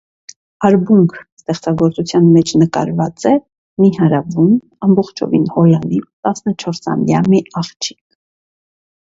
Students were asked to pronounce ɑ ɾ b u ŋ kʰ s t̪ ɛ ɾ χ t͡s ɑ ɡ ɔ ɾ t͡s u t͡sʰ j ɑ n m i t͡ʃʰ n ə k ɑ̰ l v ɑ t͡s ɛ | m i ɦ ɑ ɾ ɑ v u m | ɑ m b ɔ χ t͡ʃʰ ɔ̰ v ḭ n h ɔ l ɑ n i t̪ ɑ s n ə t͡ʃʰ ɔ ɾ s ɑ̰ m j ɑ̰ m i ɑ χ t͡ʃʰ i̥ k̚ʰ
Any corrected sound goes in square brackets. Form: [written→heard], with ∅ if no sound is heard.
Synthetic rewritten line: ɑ ɾ b u ŋ kʰ s t̪ ɛ [ɾ→∅] χ t͡s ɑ ɡ ɔ ɾ t͡s u t͡sʰ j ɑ n m [i→ɛ] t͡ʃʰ n ə k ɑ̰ [l→ɾ] v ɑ t͡s ɛ | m i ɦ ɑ ɾ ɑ v u m | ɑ m b ɔ χ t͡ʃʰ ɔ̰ v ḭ n h ɔ l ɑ n i t̪ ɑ s n ə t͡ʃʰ ɔ ɾ s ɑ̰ m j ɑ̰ m i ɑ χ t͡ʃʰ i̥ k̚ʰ